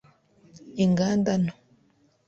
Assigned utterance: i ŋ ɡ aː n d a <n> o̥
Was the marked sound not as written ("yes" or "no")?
no